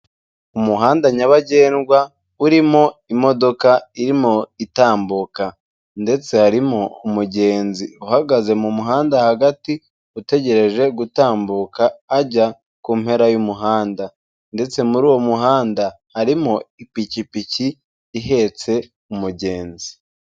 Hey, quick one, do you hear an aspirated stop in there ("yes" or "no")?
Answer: no